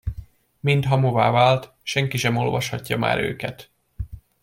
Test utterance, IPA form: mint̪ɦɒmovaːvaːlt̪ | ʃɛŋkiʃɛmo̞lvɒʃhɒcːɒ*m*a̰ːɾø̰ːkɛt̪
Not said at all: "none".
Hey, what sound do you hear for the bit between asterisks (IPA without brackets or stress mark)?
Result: m